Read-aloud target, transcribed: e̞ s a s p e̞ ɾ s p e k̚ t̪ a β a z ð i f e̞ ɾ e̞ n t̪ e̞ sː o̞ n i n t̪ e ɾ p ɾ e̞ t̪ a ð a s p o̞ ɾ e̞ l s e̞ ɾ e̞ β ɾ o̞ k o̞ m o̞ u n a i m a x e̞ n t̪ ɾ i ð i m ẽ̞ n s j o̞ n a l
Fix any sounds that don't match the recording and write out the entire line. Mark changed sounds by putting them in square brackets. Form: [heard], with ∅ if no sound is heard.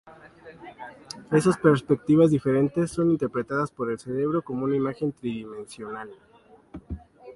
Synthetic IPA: e̞ s a s p e̞ ɾ s p e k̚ t̪ [i] β a z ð i f e̞ ɾ e̞ n t̪ e̞ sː o̞ n i n t̪ e ɾ p ɾ e̞ t̪ a ð a s p o̞ ɾ e̞ l s e̞ ɾ e̞ β ɾ o̞ k o̞ m o̞ u n a i m a x e̞ n t̪ ɾ i ð i m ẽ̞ n s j o̞ n a l